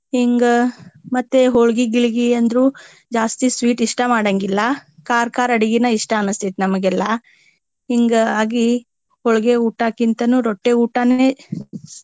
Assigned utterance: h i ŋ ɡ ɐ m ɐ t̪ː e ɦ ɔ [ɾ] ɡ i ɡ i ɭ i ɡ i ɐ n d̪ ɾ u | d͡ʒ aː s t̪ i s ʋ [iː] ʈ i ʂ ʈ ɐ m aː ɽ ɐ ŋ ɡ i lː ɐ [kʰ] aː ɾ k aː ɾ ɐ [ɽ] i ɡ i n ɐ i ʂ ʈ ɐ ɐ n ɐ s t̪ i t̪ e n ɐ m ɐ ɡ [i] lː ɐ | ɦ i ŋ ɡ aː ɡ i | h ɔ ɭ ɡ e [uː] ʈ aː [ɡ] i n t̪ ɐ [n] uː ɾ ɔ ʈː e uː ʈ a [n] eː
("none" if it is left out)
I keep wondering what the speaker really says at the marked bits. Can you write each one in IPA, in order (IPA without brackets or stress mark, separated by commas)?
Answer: ɭ, iː, k, ɽ, ɛ, uː, k, n, n